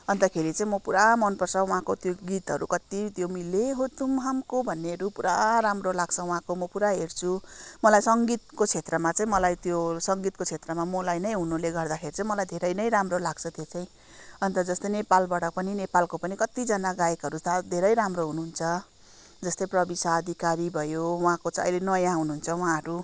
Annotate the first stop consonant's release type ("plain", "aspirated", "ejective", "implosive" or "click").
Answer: plain